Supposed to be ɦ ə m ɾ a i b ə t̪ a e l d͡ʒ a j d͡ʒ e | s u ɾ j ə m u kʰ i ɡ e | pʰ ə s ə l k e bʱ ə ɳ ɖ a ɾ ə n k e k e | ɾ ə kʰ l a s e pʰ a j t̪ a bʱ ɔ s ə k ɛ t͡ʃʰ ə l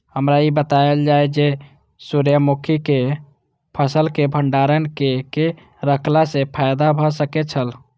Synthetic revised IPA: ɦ ə m ɾ a i b ə t̪ a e l d͡ʒ a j d͡ʒ e | s u ɾ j ə m u kʰ i k e | pʰ ə s ə l k e bʱ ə ɳ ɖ a ɾ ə n k e k e | ɾ ə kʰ l a s e pʰ a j d̪ a bʱ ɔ s ə k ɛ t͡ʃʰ ə l